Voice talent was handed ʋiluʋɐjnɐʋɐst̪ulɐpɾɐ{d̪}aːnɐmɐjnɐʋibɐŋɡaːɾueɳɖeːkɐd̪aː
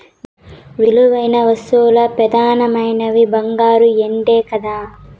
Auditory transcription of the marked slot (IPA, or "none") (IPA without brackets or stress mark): d̪